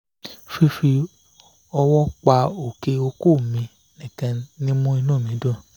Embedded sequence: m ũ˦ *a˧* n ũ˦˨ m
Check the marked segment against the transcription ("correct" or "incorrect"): incorrect